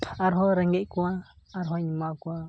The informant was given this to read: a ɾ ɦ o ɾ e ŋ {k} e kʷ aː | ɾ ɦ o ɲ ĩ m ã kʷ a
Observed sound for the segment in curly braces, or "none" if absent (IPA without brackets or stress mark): ɡ